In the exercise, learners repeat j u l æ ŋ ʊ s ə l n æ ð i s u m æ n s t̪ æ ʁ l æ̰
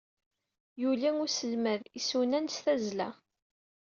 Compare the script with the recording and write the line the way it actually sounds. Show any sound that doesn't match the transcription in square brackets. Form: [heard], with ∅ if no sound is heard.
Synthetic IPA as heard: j u l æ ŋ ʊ s ə l [m] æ ð i s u [n] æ n s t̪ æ [z] l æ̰